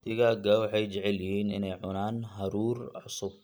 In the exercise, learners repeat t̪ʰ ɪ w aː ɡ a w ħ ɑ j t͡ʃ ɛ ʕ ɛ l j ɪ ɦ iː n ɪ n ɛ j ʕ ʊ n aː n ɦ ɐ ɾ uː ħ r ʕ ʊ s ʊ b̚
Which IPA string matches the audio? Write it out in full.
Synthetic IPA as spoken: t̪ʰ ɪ ɣ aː ɡ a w ħ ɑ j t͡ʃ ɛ ʕ ɛ l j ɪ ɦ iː n ɪ n ɛ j ʕ ʊ n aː n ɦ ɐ ɾ uː r ʕ ʊ s ʊ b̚